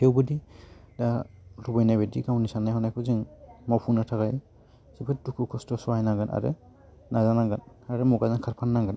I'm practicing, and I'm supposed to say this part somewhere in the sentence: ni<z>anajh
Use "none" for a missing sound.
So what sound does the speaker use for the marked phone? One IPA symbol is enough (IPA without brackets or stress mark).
s